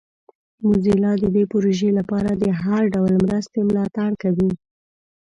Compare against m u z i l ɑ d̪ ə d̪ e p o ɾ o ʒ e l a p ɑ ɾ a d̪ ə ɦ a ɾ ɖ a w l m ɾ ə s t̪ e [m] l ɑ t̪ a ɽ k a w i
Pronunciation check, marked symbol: correct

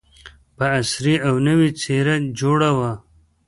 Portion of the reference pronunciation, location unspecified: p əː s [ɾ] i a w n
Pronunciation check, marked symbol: correct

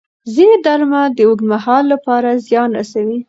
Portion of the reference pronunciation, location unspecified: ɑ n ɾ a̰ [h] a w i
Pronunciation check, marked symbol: incorrect: s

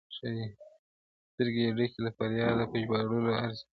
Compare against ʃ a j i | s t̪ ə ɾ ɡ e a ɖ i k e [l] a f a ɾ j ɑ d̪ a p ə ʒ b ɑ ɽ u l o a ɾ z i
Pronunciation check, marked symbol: correct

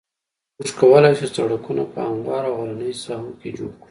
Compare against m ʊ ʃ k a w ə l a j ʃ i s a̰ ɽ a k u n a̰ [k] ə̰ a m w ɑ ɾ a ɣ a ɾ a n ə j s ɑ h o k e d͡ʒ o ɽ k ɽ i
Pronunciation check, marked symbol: incorrect: p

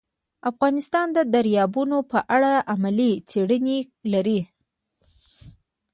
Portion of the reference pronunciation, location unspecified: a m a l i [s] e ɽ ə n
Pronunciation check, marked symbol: incorrect: t͡s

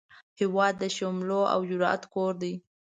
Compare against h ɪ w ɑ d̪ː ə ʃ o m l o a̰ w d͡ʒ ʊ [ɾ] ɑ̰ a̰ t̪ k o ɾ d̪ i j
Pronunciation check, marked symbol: correct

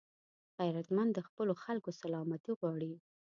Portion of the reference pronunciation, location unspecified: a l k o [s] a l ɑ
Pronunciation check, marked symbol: correct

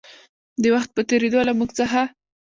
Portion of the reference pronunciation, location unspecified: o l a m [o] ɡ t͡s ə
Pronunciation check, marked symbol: incorrect: u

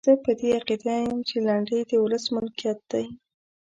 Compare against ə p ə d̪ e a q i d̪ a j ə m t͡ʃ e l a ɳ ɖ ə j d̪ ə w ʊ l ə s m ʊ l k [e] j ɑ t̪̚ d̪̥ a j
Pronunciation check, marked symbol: incorrect: i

